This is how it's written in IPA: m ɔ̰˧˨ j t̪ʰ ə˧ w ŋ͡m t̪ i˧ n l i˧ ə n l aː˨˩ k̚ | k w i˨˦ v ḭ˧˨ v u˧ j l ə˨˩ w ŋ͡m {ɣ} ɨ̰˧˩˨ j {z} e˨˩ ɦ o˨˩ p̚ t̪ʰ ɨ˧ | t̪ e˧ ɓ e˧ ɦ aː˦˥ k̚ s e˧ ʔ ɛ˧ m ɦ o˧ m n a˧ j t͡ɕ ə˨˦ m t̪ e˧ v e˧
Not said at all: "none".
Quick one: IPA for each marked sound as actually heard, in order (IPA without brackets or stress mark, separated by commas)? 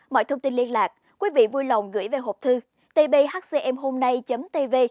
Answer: ɣ, v